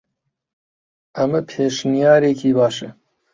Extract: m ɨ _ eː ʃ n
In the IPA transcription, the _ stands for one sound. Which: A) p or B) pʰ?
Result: B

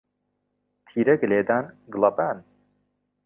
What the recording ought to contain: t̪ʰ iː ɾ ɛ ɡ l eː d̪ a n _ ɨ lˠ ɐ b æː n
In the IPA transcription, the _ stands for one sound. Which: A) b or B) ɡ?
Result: B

